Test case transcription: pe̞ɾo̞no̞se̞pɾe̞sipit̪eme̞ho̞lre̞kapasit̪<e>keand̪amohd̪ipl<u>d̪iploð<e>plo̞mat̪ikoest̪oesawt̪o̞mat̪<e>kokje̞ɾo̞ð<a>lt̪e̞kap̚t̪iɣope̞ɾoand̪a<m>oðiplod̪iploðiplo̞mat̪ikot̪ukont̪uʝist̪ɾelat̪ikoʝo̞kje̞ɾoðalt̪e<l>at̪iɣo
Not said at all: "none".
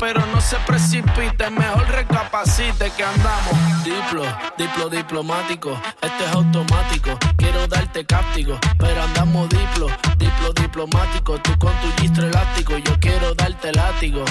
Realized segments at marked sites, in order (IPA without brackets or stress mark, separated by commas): e, o, i, i, a, m, l